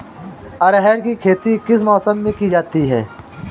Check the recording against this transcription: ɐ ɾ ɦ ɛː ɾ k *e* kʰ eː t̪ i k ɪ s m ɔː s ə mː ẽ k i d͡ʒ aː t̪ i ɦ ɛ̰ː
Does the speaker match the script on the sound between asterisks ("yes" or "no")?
no